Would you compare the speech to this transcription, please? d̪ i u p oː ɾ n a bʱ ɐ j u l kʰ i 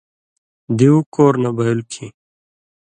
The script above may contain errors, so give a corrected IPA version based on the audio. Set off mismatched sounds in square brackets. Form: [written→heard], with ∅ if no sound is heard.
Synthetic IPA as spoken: d̪ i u [p→k] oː ɾ n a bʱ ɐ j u l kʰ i